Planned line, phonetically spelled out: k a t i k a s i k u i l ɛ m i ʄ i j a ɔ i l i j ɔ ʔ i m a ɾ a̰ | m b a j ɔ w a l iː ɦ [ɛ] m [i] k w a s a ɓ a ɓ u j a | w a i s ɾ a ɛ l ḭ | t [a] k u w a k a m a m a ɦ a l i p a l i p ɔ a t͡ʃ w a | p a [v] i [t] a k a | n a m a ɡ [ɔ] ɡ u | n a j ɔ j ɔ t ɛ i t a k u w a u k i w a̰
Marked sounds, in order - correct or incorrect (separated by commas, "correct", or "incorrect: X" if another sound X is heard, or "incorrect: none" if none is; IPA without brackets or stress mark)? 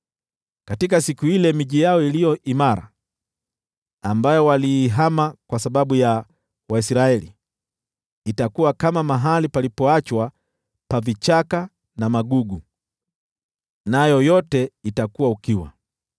incorrect: a, incorrect: a, correct, correct, incorrect: t͡ʃ, incorrect: u